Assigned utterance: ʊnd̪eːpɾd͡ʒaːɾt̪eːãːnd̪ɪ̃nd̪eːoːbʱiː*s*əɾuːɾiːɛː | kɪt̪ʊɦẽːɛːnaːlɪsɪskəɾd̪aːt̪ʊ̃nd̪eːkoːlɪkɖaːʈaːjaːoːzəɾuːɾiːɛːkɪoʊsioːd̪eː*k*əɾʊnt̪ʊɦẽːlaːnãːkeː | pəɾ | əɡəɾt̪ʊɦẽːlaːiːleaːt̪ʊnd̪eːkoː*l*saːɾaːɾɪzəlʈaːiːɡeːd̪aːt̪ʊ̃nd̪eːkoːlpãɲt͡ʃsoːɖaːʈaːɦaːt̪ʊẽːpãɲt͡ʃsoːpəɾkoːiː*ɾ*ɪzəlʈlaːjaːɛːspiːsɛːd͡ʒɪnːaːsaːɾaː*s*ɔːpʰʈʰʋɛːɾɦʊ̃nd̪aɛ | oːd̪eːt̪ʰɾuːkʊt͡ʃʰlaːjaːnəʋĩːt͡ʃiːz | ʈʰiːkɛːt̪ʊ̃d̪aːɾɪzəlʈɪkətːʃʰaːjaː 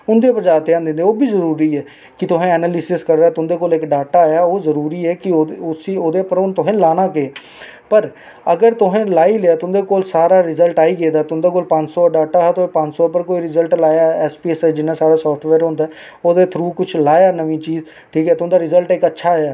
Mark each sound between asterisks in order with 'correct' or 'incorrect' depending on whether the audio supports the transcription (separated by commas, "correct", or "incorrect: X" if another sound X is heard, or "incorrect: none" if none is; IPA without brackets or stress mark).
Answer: incorrect: z, incorrect: p, correct, correct, correct